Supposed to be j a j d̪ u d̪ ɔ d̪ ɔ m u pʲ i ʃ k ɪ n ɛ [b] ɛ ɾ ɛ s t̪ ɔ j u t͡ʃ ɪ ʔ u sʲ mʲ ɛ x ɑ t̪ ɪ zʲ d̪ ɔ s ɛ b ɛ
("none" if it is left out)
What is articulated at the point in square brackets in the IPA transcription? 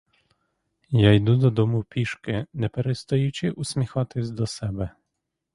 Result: p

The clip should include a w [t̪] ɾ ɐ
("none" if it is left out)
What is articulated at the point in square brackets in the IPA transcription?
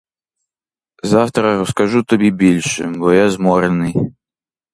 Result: t̪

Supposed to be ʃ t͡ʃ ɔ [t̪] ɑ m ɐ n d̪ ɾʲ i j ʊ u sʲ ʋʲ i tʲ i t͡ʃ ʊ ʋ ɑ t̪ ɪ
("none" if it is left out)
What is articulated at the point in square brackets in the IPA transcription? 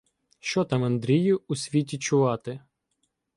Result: t̪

